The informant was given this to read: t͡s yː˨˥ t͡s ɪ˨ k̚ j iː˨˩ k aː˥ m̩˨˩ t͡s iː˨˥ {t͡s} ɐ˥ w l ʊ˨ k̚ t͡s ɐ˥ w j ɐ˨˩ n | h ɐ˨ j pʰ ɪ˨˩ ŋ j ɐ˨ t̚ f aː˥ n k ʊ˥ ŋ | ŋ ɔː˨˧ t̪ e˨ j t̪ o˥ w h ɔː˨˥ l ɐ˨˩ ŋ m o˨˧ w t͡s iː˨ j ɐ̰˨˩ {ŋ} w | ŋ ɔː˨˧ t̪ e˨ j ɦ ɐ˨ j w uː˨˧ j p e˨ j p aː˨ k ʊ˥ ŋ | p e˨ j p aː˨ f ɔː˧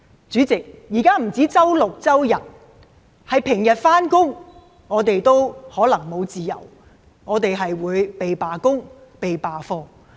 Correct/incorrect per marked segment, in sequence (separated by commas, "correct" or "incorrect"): correct, incorrect